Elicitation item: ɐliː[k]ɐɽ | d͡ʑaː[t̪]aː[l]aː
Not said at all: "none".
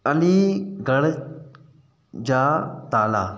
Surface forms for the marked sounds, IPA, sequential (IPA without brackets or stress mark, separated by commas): ɡ, t̪, l